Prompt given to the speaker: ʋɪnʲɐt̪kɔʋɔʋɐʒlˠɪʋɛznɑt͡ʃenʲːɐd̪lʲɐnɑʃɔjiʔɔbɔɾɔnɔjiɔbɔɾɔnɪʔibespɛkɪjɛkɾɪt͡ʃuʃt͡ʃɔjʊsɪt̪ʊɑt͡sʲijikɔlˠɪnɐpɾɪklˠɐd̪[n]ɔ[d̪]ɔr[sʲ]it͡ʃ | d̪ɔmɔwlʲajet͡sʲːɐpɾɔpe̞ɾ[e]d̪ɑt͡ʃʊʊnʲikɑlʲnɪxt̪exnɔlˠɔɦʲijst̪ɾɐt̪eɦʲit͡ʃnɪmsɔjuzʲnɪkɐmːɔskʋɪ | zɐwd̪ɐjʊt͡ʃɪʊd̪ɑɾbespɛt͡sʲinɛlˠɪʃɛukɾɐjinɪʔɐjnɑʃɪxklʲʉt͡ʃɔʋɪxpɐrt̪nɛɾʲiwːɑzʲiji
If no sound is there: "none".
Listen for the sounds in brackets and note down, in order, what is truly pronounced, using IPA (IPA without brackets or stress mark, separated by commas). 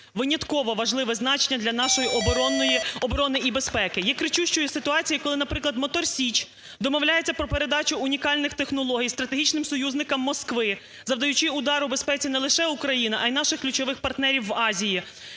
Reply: m, t̪, sʲ, e